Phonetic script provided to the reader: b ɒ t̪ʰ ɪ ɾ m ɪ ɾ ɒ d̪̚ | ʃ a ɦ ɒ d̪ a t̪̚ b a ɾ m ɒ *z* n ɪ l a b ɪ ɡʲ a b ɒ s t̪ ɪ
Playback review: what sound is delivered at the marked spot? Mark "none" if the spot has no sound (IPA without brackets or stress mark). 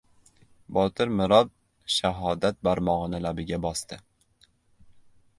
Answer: ʁ